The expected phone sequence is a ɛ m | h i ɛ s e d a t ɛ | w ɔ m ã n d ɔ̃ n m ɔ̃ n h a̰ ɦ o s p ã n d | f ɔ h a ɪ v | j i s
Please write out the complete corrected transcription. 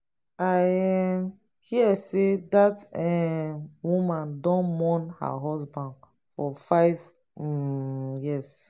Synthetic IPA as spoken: a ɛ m | h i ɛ s e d a t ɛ | w u m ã n d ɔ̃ n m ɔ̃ n h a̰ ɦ ɔ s b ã n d | f ɔ f a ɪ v | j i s